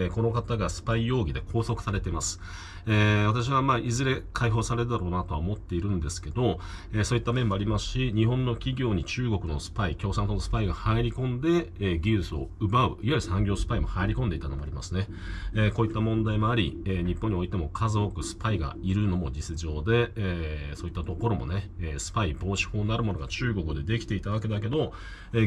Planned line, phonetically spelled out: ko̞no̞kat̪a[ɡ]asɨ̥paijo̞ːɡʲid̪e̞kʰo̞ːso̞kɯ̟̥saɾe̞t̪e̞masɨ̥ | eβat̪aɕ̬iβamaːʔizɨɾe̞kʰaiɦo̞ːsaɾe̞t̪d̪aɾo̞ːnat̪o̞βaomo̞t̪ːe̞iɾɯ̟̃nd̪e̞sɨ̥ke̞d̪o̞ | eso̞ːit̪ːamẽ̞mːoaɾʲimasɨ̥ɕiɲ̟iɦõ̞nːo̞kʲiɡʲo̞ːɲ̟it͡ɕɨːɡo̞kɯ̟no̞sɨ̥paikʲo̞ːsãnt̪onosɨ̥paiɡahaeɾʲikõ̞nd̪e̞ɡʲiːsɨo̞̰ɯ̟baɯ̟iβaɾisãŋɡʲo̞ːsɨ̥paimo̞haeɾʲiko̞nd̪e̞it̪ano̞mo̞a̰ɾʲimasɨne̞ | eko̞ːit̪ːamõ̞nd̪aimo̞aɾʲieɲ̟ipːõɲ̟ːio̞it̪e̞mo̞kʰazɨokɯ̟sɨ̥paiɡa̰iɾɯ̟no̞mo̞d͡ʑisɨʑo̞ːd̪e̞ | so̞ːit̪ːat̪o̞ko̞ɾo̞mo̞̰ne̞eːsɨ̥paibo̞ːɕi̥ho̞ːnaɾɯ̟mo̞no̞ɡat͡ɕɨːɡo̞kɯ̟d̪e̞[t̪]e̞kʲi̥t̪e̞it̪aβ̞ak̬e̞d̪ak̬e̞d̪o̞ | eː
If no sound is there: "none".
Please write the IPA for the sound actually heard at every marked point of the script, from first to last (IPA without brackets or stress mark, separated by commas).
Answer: ɡ, d̪